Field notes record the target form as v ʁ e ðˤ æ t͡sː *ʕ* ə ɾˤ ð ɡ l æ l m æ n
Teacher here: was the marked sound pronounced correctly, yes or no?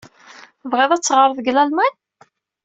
no